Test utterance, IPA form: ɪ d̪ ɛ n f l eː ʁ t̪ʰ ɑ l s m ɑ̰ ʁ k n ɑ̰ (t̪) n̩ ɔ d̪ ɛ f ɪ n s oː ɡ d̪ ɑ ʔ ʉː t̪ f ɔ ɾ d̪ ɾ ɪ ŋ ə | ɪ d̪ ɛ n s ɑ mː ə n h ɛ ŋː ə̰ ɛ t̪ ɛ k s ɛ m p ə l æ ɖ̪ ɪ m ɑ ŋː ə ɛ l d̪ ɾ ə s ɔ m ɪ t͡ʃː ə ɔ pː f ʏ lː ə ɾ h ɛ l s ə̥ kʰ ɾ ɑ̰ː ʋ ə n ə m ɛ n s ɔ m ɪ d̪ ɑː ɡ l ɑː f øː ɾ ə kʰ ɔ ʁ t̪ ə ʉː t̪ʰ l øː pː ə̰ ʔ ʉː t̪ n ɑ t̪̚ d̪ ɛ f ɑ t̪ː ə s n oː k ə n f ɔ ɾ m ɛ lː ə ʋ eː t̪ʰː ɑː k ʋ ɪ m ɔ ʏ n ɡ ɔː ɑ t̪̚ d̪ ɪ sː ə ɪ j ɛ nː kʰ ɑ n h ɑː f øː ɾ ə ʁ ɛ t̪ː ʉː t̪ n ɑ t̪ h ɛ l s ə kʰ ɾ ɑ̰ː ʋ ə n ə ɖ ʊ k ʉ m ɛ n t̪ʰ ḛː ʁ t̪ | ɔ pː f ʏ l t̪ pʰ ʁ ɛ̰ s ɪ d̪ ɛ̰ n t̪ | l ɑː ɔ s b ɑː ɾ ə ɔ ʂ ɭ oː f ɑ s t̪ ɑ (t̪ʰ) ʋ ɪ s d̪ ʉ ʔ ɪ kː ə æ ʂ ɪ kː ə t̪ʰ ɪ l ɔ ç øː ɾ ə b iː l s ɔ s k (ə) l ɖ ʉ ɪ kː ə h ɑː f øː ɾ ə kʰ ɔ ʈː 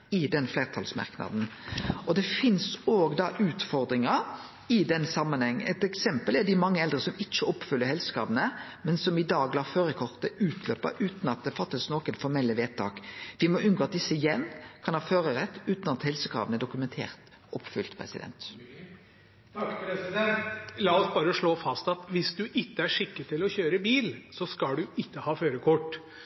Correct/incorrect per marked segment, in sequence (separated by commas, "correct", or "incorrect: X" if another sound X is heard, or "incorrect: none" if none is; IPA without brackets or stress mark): incorrect: d̪, incorrect: t̪, incorrect: ɑ